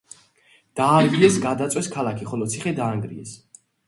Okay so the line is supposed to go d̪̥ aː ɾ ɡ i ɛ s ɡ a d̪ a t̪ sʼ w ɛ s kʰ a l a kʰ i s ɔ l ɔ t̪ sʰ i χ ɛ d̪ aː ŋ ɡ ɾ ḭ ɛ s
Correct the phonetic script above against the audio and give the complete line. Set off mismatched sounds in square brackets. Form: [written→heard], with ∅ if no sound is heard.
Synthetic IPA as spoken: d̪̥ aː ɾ ɡ i ɛ s ɡ a d̪ a t̪ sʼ w ɛ s kʰ a l a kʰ i [s→χ] ɔ l ɔ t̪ sʰ i χ ɛ d̪ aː ŋ ɡ ɾ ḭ ɛ s

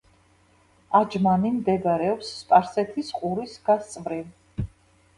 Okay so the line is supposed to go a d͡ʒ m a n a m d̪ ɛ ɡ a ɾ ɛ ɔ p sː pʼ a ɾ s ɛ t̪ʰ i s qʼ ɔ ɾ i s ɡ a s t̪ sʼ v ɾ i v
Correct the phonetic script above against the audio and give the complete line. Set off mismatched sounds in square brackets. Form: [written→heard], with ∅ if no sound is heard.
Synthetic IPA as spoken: a d͡ʒ m a n [a→i] m d̪ ɛ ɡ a ɾ ɛ ɔ p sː pʼ a ɾ s ɛ t̪ʰ i s qʼ [ɔ→u] ɾ i s ɡ a s t̪ sʼ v ɾ i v

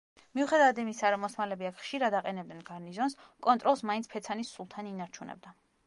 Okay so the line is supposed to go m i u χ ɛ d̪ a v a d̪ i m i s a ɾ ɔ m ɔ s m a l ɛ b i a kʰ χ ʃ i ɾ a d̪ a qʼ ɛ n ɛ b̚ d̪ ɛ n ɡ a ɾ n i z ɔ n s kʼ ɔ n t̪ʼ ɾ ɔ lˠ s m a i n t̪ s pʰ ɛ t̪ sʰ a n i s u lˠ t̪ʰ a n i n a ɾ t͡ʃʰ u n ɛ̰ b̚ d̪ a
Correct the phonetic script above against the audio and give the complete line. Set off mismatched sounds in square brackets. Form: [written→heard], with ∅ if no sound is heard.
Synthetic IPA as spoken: m i u χ ɛ d̪ a v a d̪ i m i s a ɾ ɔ m ɔ s m a l ɛ b i a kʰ χ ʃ i ɾ a d̪ a qʼ ɛ n ɛ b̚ d̪ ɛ n ɡ a ɾ n i z ɔ n s kʼ ɔ n t̪ʼ ɾ ɔ lˠ s m a i n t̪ s pʰ ɛ t̪ sʰ a n i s u lˠ t̪ʰ a n i n a ɾ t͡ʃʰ u n ɛ̰ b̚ d̪ a

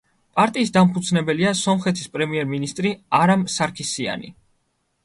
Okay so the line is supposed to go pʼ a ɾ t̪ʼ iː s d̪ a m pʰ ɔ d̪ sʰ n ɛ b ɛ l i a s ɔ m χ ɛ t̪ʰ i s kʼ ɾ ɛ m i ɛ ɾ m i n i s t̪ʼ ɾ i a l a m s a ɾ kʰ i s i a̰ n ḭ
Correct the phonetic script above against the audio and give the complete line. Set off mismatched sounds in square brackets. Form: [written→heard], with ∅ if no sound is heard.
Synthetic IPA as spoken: pʼ a ɾ t̪ʼ iː s d̪ a m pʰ [ɔ→u] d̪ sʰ n ɛ b ɛ l i a s ɔ m χ ɛ t̪ʰ i s [kʼ→pʼ] ɾ ɛ m i ɛ ɾ m i n i s t̪ʼ ɾ i a [l→ɾ] a m s a ɾ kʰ i s i a̰ n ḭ

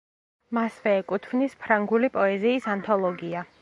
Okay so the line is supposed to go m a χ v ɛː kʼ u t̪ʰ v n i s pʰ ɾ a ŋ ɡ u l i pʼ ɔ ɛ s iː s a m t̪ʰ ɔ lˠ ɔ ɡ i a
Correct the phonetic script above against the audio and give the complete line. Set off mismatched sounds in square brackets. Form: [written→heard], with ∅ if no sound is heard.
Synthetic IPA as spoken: m a [χ→s] v ɛː kʼ u t̪ʰ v n i s pʰ ɾ a ŋ ɡ u l i pʼ ɔ ɛ [s→z] iː s a [m→n] t̪ʰ ɔ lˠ ɔ ɡ i a

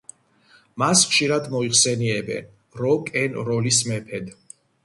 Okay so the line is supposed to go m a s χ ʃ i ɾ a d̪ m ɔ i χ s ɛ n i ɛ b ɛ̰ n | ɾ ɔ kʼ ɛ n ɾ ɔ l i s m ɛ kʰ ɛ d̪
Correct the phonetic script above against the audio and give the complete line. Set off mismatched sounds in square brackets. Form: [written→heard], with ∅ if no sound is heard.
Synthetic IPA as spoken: m a s χ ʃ i ɾ a d̪ m ɔ i χ s ɛ n i ɛ b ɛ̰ n | ɾ ɔ kʼ ɛ n ɾ ɔ l i s m ɛ [kʰ→pʰ] ɛ d̪

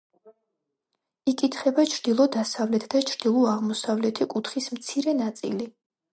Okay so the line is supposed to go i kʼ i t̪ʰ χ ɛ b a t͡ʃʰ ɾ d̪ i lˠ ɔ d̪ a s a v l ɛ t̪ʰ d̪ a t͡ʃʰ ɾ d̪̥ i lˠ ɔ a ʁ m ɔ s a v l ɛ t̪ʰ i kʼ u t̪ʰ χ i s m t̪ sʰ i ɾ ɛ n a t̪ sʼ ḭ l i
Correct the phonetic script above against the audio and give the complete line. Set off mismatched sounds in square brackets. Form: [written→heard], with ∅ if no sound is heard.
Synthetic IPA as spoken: i kʼ i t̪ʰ χ ɛ b a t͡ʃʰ ɾ d̪ i lˠ ɔ d̪ a s a v l ɛ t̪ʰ d̪ a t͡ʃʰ ɾ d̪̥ i lˠ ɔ a ʁ m ɔ s a v l ɛ t̪ʰ i kʼ u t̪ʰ χ i s m t̪ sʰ i ɾ ɛ n a t̪ sʼ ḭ l i

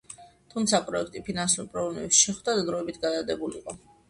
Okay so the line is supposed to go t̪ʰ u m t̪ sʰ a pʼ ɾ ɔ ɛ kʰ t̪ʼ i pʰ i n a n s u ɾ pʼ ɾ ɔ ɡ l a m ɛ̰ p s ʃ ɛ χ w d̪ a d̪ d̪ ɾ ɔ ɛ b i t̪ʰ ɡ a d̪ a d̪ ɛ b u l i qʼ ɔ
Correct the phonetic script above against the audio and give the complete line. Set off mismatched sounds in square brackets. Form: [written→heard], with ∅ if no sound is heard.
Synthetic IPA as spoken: t̪ʰ u m t̪ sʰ a pʼ ɾ ɔ ɛ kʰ t̪ʼ i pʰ i n a n s u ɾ pʼ ɾ ɔ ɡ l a m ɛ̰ p s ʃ ɛ χ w d̪ a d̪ d̪ ɾ ɔ ɛ b i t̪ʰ ɡ a d̪ a d̪ ɛ b u l i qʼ ɔ

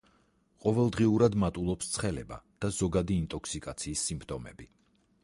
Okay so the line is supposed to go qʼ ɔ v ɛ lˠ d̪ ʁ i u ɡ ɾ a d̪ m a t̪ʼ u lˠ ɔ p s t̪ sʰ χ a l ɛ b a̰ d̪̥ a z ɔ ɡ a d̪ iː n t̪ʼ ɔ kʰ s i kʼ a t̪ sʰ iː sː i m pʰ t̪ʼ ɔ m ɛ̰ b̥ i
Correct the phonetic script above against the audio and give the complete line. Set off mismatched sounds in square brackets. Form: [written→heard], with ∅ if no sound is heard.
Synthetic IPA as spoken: qʼ ɔ v ɛ lˠ d̪ ʁ i u [ɡ→∅] ɾ a d̪ m a t̪ʼ u lˠ ɔ p s t̪ sʰ χ [a→ɛ] l ɛ b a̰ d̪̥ a z ɔ ɡ a d̪ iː n t̪ʼ ɔ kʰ s i kʼ a t̪ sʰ iː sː i m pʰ t̪ʼ ɔ m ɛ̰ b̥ i

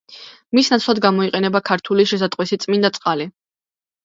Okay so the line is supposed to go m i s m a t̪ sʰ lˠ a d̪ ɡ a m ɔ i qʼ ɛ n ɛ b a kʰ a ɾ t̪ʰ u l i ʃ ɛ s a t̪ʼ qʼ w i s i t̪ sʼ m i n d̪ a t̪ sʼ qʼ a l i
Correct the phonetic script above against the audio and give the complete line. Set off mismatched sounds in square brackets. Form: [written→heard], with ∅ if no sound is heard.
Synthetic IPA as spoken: m i s [m→n] a t̪ sʰ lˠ a d̪ ɡ a m ɔ i qʼ ɛ n ɛ b a kʰ a ɾ t̪ʰ u l i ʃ ɛ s a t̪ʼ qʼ w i s i t̪ sʼ m i n d̪ a t̪ sʼ qʼ a l i

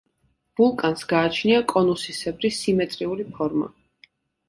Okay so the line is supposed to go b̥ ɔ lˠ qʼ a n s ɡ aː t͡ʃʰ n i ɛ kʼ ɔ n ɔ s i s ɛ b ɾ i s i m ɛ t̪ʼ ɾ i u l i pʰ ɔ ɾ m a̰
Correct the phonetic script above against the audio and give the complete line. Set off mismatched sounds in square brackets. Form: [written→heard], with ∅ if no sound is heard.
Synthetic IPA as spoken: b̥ [ɔ→u] lˠ [qʼ→kʼ] a n s ɡ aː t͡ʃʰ n i [ɛ→a] kʼ ɔ n [ɔ→u] s i s ɛ b ɾ i s i m ɛ t̪ʼ ɾ i u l i pʰ ɔ ɾ m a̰

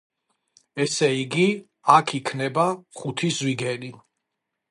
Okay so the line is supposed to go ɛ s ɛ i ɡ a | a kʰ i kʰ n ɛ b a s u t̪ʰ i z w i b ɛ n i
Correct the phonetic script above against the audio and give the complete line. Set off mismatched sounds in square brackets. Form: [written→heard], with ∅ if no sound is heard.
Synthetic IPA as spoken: ɛ s ɛ i ɡ [a→i] | a kʰ i kʰ n ɛ b a [s→χ] u t̪ʰ i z w i [b→ɡ] ɛ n i

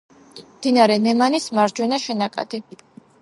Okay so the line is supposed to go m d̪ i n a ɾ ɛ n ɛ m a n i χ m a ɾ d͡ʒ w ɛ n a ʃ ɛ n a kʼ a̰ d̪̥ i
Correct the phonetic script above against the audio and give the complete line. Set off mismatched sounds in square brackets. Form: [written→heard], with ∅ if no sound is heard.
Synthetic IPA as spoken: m d̪ i n a ɾ ɛ n ɛ m a n i [χ→s] m a ɾ d͡ʒ w ɛ n a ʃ ɛ n a kʼ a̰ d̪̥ i

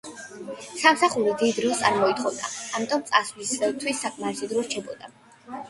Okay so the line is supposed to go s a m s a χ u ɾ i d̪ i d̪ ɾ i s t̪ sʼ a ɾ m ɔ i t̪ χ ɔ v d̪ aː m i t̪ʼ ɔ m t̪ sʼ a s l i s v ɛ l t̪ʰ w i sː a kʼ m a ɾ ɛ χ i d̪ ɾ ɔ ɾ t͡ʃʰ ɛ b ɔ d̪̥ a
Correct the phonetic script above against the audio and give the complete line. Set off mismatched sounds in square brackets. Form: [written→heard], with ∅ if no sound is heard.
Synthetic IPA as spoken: s a m s a χ u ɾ i d̪ i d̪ ɾ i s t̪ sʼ a ɾ m ɔ i t̪ χ ɔ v d̪ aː m i t̪ʼ ɔ m t̪ sʼ a s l i s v ɛ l t̪ʰ w i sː a kʼ m a ɾ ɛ [χ→s] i d̪ ɾ ɔ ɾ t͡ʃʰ ɛ b ɔ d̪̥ a

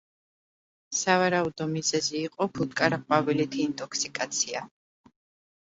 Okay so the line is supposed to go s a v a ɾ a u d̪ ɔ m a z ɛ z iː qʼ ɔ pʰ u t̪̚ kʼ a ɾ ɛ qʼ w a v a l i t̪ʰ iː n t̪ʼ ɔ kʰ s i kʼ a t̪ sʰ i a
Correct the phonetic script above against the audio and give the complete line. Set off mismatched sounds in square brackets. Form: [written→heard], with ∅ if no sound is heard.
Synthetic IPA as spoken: s a v a ɾ a u d̪ ɔ m [a→i] z ɛ z iː qʼ ɔ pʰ u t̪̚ kʼ a ɾ [ɛ→a] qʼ w a v [a→i] l i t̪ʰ iː n t̪ʼ ɔ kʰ s i kʼ a t̪ sʰ i a

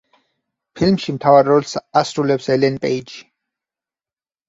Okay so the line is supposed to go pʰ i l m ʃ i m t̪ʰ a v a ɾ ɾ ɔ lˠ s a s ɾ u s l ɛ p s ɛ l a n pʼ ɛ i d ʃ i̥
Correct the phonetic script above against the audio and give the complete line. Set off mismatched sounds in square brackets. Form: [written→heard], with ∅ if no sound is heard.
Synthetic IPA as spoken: pʰ i l m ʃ i m t̪ʰ a v a ɾ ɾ ɔ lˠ s a s ɾ u [s→∅] l ɛ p s ɛ l [a→ɛ] n pʼ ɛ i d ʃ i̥

